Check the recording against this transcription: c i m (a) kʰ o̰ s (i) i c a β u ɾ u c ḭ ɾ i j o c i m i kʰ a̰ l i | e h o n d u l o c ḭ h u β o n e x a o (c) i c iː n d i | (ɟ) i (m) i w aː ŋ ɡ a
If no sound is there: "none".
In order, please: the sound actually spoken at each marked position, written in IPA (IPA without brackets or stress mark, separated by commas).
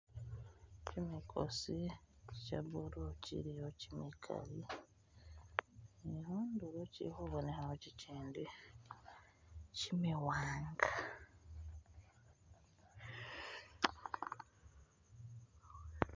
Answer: i, i, c, c, m